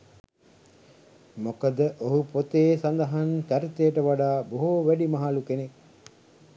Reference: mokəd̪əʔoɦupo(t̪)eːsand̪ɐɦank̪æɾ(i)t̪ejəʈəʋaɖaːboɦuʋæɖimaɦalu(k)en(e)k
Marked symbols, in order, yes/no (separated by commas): yes, yes, yes, yes